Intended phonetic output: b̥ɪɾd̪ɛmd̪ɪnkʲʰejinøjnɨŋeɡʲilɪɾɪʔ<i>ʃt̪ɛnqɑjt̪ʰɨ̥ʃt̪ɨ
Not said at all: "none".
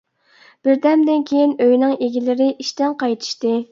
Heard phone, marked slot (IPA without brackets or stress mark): i